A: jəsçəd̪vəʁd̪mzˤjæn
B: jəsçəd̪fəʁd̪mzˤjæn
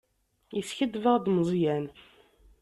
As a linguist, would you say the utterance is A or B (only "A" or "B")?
A